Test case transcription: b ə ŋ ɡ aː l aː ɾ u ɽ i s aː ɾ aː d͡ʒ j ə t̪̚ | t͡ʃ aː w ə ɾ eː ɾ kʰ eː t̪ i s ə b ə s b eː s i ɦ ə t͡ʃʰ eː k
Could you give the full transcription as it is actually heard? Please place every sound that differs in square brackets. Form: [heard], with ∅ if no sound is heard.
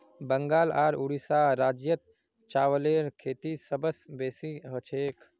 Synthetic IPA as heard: b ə ŋ ɡ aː l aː ɾ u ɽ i s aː ɾ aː d͡ʒ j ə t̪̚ | t͡ʃ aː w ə [l] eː ɾ kʰ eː t̪ i s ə b ə s b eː s i ɦ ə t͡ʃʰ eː k